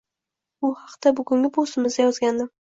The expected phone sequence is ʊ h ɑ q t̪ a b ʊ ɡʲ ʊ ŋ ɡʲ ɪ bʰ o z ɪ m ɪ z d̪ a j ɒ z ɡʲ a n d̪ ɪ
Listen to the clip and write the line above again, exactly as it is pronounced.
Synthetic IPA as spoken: ʊ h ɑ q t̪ a b ʊ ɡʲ ʊ ŋ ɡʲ ɪ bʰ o s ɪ m ɪ z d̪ a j ɒ z ɡʲ a n d̪ ɪ